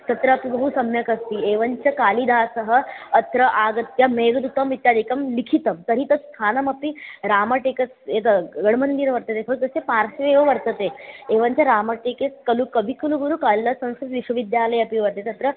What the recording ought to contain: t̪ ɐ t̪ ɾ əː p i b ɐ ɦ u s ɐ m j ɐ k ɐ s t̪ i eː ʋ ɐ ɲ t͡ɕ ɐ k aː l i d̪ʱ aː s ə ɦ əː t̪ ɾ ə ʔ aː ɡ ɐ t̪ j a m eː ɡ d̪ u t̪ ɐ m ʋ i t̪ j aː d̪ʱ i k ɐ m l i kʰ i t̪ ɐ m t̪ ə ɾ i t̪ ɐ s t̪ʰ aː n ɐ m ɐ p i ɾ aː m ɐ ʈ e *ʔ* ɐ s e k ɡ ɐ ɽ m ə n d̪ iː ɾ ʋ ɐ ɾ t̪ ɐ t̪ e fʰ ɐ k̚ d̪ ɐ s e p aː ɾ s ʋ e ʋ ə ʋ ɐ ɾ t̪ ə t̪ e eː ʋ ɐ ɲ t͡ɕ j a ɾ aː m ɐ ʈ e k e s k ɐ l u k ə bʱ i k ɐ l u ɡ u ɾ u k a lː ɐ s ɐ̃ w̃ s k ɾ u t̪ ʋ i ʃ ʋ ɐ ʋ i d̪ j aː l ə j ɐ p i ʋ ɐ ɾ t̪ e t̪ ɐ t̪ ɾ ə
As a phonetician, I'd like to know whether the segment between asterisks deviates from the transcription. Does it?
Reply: yes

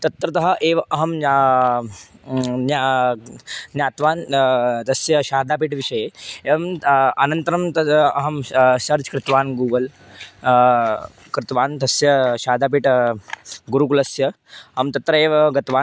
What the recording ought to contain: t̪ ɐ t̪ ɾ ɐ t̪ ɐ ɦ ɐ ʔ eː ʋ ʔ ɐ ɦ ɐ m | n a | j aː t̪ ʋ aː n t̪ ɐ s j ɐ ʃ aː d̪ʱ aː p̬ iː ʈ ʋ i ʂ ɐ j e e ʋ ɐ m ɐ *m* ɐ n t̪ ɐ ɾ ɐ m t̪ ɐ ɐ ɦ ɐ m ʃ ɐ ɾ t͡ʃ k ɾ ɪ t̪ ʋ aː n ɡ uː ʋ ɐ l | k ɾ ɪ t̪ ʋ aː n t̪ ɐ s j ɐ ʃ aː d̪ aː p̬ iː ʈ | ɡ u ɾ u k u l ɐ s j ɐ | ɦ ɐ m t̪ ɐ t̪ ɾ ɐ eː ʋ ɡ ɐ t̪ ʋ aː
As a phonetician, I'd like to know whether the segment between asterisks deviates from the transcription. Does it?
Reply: yes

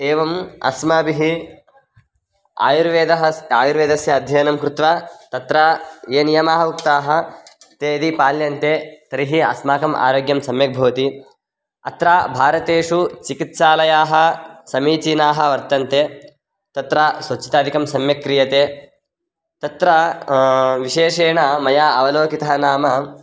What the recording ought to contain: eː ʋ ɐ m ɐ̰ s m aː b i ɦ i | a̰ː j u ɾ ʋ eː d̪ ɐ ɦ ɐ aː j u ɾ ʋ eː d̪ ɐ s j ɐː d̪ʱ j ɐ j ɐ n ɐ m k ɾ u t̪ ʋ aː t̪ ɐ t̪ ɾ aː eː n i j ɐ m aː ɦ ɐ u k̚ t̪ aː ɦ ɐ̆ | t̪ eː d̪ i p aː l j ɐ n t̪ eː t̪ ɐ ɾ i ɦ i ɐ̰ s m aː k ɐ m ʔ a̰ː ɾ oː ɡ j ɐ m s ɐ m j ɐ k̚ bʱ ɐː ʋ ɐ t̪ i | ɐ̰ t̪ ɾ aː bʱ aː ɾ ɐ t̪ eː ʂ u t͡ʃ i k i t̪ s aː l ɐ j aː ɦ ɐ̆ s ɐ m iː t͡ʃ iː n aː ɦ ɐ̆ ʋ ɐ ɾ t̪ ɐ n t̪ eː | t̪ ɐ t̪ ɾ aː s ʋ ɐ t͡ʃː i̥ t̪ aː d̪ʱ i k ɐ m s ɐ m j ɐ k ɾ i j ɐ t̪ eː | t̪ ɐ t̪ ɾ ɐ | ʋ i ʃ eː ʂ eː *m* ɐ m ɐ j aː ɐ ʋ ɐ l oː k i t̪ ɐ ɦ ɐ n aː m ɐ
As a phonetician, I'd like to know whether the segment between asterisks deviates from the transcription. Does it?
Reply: yes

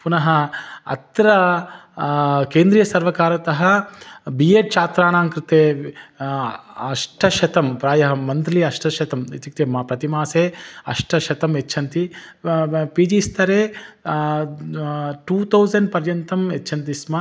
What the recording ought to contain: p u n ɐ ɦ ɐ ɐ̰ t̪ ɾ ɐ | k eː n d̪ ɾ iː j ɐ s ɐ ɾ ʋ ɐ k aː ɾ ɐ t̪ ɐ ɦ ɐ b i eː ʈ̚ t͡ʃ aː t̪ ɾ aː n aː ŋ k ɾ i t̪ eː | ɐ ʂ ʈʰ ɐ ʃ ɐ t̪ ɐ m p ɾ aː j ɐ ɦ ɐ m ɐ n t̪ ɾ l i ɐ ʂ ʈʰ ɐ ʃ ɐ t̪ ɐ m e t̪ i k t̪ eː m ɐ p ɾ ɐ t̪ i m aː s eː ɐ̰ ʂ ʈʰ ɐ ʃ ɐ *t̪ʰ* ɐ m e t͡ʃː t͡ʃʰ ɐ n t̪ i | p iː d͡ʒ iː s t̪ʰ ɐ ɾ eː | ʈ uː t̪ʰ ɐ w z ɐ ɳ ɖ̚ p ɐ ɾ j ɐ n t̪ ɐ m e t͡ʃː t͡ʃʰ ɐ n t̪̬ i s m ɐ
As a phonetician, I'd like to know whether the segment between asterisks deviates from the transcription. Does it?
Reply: yes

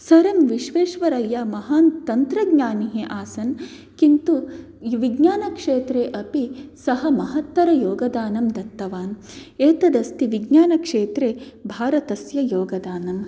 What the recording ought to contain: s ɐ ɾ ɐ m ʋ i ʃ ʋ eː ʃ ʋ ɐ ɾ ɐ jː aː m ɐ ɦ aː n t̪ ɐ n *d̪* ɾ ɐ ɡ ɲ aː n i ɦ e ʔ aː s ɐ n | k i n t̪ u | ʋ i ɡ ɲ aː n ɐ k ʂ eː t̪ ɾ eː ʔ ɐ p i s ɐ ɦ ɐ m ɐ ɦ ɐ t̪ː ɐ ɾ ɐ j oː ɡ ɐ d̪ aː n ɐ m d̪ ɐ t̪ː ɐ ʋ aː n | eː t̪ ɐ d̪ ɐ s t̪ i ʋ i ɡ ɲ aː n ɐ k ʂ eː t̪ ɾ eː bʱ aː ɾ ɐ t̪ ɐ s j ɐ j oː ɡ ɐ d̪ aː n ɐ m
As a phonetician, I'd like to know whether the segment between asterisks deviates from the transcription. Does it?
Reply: yes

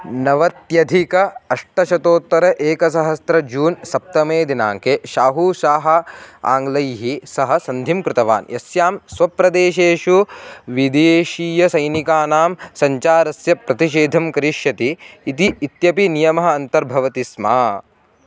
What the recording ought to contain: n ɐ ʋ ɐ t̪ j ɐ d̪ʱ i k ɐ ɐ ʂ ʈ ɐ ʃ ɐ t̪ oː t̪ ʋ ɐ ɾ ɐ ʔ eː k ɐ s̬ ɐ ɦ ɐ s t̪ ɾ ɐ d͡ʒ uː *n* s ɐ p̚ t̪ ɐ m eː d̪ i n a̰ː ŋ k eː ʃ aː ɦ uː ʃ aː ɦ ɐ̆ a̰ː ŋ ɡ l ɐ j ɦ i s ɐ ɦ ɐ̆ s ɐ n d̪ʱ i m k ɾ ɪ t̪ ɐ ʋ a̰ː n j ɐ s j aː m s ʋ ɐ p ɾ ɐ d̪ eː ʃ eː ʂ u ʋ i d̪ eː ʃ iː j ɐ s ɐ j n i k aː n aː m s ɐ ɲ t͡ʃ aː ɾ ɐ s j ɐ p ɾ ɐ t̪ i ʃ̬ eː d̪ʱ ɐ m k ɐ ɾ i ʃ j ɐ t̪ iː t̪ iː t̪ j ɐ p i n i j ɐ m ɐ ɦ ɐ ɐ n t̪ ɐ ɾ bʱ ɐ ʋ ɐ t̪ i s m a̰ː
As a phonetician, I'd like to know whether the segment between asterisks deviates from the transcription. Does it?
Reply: no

